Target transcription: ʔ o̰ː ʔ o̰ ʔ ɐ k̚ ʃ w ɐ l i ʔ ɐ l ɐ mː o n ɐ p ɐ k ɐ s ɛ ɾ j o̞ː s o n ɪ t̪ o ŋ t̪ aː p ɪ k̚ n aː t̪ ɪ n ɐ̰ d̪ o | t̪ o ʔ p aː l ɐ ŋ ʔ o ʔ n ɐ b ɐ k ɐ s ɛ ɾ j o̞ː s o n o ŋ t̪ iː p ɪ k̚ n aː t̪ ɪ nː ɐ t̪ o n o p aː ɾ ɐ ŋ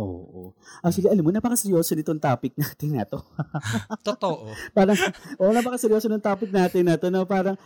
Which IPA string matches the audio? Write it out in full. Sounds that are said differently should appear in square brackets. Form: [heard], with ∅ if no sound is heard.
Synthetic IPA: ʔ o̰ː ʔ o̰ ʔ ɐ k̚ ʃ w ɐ l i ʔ ɐ l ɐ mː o n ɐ p ɐ k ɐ s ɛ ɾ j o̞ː s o n ɪ t̪ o ŋ t̪ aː p ɪ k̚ n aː t̪ ɪ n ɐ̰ [t̪] o | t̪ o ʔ p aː [ɾ] ɐ ŋ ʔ o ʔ n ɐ [p] ɐ k ɐ s ɛ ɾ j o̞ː s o n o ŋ t̪ [aː] p ɪ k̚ n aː t̪ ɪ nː ɐ t̪ o n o p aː ɾ ɐ ŋ